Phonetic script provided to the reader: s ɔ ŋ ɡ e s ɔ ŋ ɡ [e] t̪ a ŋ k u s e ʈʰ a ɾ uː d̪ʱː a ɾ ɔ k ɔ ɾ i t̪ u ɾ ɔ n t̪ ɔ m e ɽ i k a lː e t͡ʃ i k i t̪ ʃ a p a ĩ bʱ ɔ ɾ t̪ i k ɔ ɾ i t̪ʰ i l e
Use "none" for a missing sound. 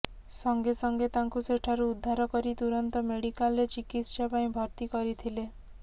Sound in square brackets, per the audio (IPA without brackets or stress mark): e